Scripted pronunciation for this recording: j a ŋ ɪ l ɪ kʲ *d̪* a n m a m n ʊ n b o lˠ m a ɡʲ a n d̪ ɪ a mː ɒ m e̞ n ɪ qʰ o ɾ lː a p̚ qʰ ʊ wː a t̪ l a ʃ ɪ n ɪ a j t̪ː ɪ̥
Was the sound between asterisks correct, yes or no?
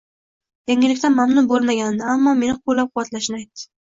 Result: no